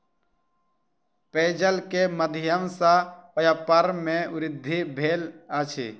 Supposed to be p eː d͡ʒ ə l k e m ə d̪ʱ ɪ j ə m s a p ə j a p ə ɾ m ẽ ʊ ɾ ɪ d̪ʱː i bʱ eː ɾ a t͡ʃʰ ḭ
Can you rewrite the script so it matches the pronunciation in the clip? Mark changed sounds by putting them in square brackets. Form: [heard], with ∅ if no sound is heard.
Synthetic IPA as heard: p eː d͡ʒ ə l k e m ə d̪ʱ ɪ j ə m s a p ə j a p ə ɾ m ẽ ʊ ɾ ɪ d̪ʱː i bʱ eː [l] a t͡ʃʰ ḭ